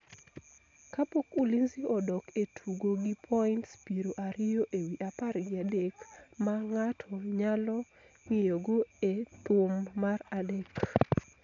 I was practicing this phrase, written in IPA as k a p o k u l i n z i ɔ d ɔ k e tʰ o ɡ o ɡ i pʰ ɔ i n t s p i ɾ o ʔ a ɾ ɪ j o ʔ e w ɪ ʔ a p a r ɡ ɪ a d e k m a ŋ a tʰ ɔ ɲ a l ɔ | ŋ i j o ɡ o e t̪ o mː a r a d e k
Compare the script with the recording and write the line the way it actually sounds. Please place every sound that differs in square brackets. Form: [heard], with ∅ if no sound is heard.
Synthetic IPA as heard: k a p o k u l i n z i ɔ d ɔ k e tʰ [u] ɡ o ɡ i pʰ ɔ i n t s p i ɾ o ʔ a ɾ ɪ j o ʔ e w [i] ʔ a p a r ɡ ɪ a d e k m a ŋ a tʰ ɔ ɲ a l ɔ | ŋ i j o ɡ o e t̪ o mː a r a d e k